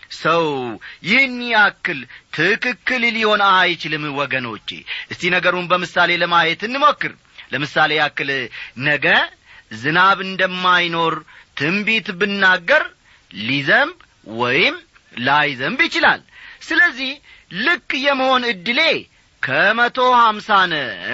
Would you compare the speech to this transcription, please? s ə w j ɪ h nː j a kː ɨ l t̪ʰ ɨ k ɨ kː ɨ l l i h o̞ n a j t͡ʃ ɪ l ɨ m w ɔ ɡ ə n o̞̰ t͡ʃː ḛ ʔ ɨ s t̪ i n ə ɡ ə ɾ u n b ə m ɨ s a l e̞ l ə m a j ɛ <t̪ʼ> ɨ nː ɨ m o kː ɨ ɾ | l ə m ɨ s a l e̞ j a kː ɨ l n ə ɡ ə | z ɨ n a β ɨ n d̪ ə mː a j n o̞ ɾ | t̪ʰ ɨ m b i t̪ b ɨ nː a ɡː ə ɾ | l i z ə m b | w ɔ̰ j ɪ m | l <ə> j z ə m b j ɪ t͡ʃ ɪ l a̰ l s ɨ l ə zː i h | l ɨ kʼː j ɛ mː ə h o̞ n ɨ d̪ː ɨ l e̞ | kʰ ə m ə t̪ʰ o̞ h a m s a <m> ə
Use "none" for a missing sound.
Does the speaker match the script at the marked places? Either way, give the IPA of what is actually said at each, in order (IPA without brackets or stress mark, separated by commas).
t̪, a, n